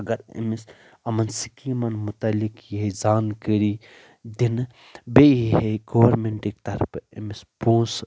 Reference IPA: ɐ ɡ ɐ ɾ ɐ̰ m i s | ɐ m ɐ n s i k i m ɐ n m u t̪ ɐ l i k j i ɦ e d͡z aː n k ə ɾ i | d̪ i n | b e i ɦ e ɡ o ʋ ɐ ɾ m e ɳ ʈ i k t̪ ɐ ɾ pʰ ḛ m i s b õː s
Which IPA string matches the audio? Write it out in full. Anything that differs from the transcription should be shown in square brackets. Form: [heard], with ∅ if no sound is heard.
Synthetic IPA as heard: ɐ ɡ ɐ ɾ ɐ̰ m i s | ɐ m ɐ n s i k i m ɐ n m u t̪ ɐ l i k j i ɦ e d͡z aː n k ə ɾ i | d̪ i n | b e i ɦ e ɡ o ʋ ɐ ɾ m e ɳ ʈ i k t̪ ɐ ɾ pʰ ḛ m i s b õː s